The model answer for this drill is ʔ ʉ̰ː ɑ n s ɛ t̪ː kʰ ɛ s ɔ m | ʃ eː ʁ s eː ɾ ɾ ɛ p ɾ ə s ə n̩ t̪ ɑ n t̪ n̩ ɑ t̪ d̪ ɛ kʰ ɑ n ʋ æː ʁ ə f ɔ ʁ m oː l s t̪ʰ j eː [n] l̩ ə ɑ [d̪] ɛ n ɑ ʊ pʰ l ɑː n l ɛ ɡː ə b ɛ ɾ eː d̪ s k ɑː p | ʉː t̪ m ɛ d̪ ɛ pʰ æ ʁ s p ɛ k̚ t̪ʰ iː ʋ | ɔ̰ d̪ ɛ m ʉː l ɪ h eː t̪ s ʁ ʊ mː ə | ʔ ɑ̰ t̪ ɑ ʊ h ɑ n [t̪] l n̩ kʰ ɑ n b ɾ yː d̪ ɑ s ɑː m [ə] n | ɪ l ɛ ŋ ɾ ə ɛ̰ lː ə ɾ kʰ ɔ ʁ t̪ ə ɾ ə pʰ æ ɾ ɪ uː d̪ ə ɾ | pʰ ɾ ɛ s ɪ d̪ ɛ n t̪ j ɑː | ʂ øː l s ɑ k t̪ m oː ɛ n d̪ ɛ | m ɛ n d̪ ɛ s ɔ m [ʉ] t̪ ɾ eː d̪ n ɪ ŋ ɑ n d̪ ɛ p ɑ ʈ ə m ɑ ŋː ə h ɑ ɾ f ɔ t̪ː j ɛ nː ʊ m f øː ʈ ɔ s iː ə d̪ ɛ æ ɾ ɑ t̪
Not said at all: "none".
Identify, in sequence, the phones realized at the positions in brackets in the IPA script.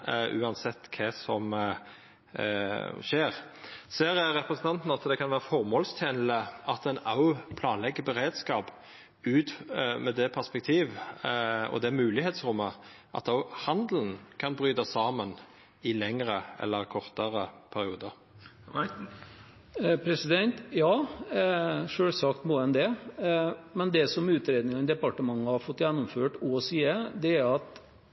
n, t̪, d̪, ə, ʉː

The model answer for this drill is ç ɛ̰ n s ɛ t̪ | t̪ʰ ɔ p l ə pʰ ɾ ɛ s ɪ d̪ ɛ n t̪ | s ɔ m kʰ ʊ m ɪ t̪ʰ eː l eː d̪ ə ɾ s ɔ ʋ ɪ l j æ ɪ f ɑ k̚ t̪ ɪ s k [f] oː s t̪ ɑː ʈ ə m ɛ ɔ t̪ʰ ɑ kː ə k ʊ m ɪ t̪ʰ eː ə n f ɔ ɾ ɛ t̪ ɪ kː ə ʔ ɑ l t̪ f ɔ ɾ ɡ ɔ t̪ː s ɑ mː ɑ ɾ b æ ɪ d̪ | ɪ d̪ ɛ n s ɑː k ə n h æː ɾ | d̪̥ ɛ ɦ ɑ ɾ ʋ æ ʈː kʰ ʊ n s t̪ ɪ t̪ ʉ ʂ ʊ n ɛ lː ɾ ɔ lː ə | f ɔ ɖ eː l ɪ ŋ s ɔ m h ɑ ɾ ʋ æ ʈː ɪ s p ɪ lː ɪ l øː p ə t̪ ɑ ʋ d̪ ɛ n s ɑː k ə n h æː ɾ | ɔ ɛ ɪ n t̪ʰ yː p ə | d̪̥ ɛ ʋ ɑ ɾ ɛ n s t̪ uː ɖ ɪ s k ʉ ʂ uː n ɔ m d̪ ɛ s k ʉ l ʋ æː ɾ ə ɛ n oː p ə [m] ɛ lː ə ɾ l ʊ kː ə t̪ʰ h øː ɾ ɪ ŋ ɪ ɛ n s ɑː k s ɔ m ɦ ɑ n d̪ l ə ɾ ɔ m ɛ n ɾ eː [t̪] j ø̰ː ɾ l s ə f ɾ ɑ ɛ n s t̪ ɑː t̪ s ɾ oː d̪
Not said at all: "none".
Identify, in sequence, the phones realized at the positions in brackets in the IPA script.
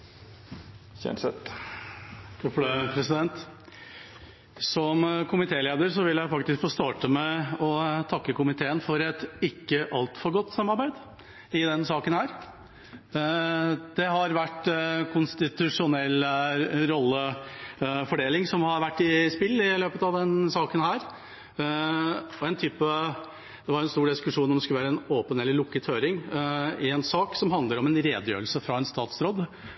f, n, d̪

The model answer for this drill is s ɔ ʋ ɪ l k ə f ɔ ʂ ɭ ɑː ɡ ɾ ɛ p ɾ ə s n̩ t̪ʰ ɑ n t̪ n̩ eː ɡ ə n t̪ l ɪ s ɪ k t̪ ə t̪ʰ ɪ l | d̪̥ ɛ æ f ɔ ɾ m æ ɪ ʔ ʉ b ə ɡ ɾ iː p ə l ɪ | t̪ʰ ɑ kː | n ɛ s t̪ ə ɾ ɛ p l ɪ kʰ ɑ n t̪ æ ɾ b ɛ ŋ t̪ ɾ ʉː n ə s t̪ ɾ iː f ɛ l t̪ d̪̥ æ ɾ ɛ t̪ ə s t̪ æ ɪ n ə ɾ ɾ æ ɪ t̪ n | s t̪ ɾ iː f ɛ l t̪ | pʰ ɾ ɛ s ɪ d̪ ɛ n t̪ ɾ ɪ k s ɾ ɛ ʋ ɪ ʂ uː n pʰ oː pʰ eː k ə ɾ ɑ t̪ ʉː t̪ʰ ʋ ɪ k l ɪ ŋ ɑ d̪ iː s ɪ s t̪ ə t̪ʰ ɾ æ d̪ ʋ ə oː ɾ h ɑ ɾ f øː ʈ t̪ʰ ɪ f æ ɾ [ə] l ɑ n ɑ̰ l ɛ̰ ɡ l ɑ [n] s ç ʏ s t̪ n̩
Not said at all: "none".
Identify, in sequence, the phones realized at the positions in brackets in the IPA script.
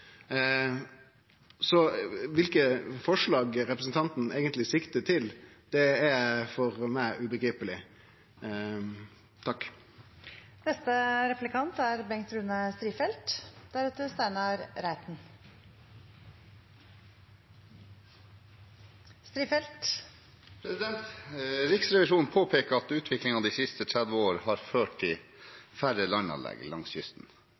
ə, ŋ

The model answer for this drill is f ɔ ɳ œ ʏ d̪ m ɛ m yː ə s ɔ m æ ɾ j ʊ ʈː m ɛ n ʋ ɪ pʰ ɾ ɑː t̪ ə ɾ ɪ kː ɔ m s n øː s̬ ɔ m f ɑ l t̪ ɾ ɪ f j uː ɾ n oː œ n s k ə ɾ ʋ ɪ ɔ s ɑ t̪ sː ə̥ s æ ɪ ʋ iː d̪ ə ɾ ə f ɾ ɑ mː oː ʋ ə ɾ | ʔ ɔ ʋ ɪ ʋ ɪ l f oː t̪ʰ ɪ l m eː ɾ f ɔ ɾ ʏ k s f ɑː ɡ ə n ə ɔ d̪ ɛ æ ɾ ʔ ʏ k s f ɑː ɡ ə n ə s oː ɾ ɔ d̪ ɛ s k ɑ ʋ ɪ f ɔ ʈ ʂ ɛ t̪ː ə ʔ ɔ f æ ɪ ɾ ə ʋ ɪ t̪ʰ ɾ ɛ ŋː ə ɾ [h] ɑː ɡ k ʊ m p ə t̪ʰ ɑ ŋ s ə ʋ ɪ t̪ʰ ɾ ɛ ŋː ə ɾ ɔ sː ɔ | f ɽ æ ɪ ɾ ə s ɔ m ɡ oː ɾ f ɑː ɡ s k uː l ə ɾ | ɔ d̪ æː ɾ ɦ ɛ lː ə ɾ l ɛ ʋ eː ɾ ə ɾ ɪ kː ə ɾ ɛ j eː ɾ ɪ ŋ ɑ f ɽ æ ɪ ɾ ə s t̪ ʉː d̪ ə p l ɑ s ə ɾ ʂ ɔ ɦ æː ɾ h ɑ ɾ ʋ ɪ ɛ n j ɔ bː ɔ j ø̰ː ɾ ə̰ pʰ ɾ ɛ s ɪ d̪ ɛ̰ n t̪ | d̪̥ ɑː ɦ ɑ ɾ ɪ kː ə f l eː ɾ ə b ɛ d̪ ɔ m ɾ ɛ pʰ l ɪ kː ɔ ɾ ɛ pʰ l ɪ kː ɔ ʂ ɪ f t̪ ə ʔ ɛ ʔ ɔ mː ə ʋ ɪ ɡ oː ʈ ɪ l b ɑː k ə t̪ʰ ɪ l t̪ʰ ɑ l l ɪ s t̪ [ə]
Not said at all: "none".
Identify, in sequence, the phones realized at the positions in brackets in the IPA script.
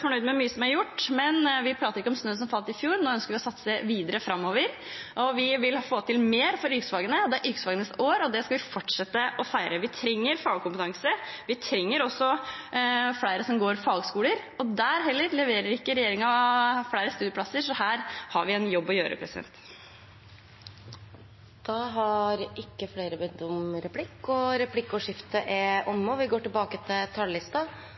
f, ɑ

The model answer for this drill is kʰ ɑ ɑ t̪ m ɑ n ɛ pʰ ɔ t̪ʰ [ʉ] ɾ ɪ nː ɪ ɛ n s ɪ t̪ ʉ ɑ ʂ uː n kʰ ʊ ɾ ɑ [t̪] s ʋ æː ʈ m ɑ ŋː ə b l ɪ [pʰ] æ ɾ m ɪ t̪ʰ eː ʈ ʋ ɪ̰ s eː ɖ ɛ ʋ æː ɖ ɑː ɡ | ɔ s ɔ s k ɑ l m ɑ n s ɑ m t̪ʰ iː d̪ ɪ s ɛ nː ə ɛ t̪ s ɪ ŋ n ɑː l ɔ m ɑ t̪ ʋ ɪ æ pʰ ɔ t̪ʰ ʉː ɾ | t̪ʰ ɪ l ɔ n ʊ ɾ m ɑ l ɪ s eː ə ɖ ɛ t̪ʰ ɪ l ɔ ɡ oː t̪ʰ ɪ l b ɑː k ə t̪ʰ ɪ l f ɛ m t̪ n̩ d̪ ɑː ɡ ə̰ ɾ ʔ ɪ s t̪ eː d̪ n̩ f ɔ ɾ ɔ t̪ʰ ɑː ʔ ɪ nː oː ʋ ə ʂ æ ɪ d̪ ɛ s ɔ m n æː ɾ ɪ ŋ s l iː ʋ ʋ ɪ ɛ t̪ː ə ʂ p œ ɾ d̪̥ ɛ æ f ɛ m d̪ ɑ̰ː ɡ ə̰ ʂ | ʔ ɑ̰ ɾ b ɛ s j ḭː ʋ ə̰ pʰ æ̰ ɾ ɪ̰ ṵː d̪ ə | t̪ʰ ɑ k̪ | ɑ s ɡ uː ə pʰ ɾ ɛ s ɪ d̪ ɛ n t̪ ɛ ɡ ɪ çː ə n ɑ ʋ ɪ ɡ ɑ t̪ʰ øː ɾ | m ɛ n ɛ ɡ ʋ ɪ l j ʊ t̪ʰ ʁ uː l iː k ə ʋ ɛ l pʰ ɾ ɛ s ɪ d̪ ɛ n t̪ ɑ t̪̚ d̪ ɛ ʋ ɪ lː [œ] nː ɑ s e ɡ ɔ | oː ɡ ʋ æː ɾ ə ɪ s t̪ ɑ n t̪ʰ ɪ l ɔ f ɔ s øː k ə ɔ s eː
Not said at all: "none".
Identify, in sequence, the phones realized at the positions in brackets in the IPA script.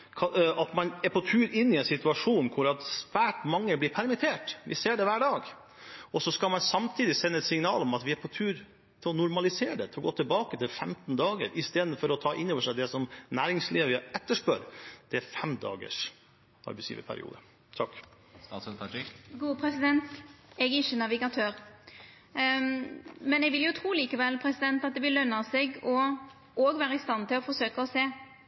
ʉː, t̪, pʰ, œ

